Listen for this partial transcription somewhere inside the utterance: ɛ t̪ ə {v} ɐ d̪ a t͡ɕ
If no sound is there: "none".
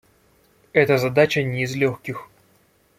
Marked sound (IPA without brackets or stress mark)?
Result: z